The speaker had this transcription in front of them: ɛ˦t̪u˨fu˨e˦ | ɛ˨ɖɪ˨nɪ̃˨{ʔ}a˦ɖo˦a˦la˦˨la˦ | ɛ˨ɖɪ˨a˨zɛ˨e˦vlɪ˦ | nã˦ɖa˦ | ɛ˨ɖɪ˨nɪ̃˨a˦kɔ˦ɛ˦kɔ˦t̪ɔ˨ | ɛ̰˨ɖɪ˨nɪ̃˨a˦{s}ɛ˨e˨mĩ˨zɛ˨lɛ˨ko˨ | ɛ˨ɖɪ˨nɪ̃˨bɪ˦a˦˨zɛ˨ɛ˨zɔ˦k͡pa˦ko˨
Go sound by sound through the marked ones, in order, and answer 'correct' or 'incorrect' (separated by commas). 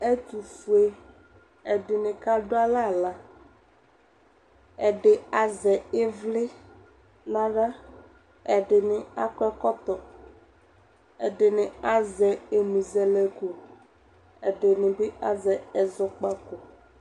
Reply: incorrect, incorrect